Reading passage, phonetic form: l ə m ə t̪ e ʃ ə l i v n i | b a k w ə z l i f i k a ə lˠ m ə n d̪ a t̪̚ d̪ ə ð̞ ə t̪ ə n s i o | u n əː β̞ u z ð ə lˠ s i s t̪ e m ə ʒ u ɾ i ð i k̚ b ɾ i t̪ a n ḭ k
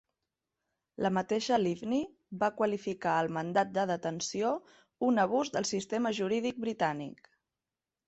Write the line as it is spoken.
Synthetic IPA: l ə m ə t̪ e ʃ ə l i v n i | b a k w ə l i f i k a ə lˠ m ə n d̪ a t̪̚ d̪ ə ð̞ ə t̪ ə n s i o | u n ə β̞ u z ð ə lˠ s i s t̪ e m ə ʒ u ɾ i ð i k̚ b ɾ i t̪ a n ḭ k

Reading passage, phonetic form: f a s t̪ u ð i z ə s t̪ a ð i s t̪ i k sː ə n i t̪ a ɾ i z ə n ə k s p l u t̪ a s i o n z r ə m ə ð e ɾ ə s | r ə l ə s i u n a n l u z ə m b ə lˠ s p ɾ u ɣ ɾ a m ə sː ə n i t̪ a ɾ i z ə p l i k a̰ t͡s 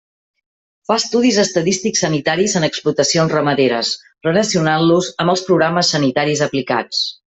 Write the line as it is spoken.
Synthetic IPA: f a s t̪ u ð i z ə s t̪ ə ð i s t̪ i k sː ə n i t̪ a ɾ i z ə n ə k s p l u t̪ ə s i o n z r ə m ə ð e ɾ ə s | r ə l ə s i u n a n l u z ə m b ə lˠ s p ɾ u ɣ ɾ a m ə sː ə n i t̪ a ɾ i z ə p l i k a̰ t͡s

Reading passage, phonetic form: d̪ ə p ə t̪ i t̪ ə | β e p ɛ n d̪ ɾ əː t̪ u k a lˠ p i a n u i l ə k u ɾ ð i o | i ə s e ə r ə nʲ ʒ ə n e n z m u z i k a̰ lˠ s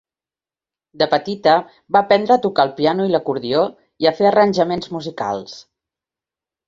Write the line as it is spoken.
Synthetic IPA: d̪ ə p ə t̪ i t̪ ə | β a p ɛ n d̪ ɾ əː t̪ u k a lˠ p i a n u i l ə k u ɾ ð i o | i ə f e ə r ə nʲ ʒ ə m e n z m u z i k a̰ lˠ s

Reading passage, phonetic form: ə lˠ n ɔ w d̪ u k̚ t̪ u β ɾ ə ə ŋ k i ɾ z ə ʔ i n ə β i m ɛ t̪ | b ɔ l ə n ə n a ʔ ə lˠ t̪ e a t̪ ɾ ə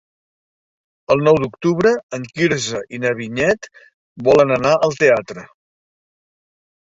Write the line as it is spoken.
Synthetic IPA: ə lˠ n ɔ w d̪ u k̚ t̪ u β ɾ ə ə ŋ k i ɾ z ə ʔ i n ə β i ɲ ɛ t̪ | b ɔ l ə n ə n a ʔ ə lˠ t̪ e a t̪ ɾ ə

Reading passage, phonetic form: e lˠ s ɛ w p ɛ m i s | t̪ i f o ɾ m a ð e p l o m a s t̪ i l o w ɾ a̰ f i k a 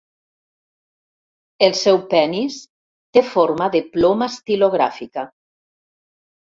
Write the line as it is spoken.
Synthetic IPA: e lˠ s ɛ w p ɛ n i s | t̪ e f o ɾ m a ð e p l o m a s t̪ i l o ɣ ɾ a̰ f i k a

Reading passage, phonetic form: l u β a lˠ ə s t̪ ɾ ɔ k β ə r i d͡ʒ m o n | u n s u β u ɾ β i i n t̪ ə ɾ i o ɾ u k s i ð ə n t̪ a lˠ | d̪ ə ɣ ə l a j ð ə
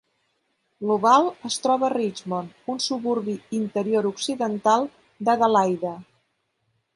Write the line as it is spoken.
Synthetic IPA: l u β a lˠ ə s t̪ ɾ ɔ β ə r i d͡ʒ m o n | u n s u β u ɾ β i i n t̪ ə ɾ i o ɾ u k s i ð ə n t̪ a lˠ | d̪ ə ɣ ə l a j ð ə

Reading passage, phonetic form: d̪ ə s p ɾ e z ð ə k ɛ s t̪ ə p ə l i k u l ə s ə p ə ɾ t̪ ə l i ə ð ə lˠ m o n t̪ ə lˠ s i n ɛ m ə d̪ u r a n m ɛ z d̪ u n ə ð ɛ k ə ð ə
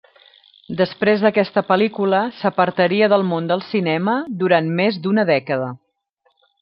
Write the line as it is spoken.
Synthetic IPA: d̪ ə s p ɾ e z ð ə k ɛ s t̪ ə p ə l i k u l ə s ə p ə ɾ t̪ ə ɾ i ə ð ə lˠ m o n d̪ ə lˠ s i n ɛ m ə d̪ u ɾ a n m e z d̪ u n ə ð ɛ k ə ð ə

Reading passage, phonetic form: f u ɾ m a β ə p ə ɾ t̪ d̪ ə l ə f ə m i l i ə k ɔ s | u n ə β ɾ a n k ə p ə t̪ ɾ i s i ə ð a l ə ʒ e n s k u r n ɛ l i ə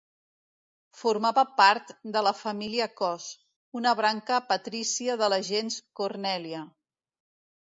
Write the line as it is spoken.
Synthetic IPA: f u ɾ m a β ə p a ɾ t̪ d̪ ə l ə f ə m i l i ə k ɔ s | u n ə β ɾ a ŋ k ə p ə t̪ ɾ i s i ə ð ə l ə ʒ e n s k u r n ɛ l i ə

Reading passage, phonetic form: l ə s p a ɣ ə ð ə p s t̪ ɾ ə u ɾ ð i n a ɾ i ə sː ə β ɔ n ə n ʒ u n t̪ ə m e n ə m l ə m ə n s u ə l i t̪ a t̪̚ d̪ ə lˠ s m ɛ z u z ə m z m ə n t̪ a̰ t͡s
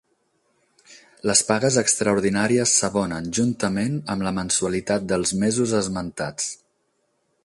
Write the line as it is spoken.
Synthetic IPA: l ə s p a ɣ ə z ə k s t̪ ɾ ə u ɾ ð i n a ɾ i ə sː ə β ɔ n ə n ʒ u n t̪ ə m e n ə m l ə m ə n s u ə l i t̪ a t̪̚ d̪ ə lˠ z m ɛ z u z ə z m ə n t̪ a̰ t͡s

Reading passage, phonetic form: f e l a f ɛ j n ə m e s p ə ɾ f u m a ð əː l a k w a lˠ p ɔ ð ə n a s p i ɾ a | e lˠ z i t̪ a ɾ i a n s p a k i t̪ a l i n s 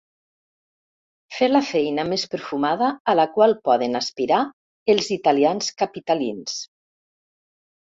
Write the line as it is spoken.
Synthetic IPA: f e l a f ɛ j n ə m e s p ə ɾ f u m a ð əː l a k w a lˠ p ɔ ð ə n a s p i ɾ a | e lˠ z i t̪ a l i a n s k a p i t̪ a l i n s

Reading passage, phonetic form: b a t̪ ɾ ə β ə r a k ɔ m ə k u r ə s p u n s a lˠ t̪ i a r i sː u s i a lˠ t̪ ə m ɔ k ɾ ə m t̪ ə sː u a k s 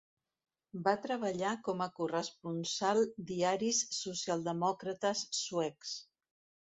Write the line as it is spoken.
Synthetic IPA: b a t̪ ɾ ə β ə ʎ a k ɔ m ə k u r ə s p u n s a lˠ d̪ i a ɾ i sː u s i a lˠ d̪ ə m ɔ k ɾ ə t̪ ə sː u ɛ k s

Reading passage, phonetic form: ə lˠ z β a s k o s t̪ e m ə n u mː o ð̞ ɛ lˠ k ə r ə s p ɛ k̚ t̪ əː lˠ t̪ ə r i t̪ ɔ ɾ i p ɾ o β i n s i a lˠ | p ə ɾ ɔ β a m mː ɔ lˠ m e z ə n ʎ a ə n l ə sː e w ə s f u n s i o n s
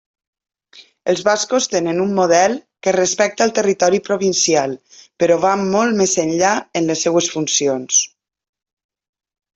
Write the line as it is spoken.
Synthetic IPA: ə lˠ z β a s k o s t̪ e n ə n u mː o ð̞ ɛ lˠ k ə r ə s p ɛ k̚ t̪ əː lˠ t̪ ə r i t̪ ɔ ɾ i p ɾ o β i n s i a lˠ | p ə ɾ ɔ β a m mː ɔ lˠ m e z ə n ʎ a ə n l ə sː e w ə s f u n s i o n s

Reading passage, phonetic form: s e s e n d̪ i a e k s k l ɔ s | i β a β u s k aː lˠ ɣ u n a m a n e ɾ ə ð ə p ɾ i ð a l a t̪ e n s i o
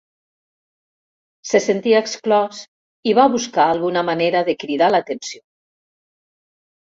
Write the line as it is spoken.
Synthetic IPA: s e s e n t̪ i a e k s k l ɔ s | i β a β u s k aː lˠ ɣ u n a m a n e ɾ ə ð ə k ɾ i ð a l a t̪ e n s i o

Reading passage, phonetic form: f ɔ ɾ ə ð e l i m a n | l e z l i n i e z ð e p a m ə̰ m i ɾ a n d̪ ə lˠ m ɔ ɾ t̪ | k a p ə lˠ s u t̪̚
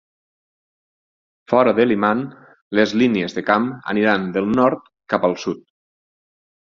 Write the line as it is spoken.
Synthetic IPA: f ɔ ɾ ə ð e l i m a n | l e z l i n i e z ð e k a m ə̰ n i ɾ a n d̪ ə lˠ n ɔ ɾ t̪ | k a p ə lˠ s u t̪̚

